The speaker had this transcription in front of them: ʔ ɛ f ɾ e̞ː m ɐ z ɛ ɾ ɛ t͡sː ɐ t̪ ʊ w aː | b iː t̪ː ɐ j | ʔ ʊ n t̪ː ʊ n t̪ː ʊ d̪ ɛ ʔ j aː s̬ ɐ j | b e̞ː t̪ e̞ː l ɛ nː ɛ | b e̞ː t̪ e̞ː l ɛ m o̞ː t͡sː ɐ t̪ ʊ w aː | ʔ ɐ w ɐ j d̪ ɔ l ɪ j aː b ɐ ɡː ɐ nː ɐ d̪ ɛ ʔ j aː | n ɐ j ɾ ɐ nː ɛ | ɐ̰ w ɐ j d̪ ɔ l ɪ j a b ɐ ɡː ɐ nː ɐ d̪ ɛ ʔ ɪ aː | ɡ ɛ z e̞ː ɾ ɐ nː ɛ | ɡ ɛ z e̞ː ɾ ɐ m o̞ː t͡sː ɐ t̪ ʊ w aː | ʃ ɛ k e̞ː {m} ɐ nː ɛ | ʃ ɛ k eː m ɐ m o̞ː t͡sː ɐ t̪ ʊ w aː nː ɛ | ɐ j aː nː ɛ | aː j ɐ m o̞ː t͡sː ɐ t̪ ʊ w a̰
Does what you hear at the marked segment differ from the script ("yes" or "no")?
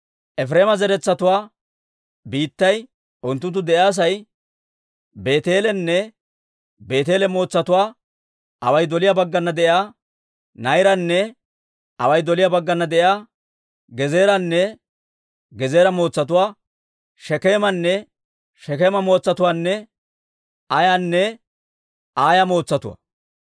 no